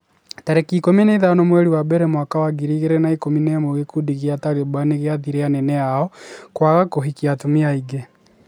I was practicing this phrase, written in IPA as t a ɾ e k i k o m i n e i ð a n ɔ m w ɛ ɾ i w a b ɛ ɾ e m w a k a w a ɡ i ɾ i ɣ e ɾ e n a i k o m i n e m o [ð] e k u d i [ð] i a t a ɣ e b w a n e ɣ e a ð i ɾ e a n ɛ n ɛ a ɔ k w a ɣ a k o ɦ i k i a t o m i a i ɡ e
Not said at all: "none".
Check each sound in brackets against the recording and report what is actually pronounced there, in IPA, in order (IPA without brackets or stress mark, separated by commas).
ɣ, ɣ